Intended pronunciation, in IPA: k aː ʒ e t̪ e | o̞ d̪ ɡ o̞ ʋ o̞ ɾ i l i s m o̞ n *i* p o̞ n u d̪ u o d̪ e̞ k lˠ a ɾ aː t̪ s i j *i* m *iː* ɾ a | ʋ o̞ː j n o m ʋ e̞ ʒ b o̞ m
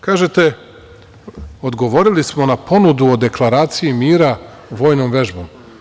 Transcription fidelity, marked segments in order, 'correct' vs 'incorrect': incorrect: a, correct, correct

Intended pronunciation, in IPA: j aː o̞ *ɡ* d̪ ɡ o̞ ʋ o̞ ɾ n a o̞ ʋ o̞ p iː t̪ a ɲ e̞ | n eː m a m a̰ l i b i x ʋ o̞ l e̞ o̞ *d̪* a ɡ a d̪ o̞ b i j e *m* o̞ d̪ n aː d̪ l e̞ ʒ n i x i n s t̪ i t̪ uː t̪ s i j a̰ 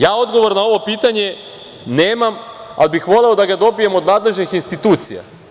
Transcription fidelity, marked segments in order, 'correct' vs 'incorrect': incorrect: none, correct, correct

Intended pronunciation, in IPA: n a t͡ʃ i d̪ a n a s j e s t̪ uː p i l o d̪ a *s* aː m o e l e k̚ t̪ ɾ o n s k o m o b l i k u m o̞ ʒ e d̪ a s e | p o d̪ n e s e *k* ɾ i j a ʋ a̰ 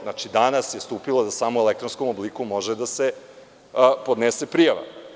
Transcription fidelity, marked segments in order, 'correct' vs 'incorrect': correct, incorrect: p

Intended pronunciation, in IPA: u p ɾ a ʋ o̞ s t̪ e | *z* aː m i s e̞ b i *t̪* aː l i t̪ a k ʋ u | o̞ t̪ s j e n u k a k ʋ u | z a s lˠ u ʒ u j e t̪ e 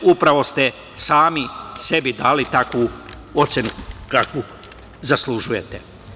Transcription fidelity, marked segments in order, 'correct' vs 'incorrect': incorrect: s, incorrect: d̪

